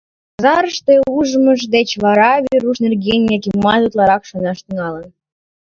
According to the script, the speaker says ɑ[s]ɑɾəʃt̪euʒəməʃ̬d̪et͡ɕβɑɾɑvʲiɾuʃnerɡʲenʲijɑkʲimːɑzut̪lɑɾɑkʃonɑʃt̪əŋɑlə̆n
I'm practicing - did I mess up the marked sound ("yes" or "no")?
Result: yes